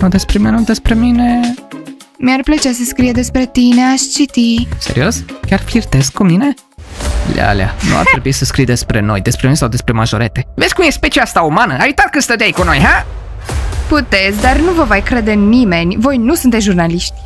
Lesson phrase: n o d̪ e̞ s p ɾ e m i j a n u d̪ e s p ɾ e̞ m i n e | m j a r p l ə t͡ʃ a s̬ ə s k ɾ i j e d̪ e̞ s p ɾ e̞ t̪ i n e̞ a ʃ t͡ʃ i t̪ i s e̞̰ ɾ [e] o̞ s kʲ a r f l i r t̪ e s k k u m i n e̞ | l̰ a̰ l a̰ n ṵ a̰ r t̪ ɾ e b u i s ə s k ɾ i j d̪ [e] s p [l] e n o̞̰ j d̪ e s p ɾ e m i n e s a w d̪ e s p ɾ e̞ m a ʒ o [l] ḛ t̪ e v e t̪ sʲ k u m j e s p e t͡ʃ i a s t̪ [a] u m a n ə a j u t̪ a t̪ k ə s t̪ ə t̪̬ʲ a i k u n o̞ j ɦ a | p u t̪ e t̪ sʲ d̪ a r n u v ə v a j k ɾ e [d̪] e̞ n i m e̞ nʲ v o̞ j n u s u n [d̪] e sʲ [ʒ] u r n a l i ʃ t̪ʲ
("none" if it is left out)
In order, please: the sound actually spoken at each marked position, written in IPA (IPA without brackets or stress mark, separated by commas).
i, e, ɾ, ɾ, a, d̪, t̪, ʒ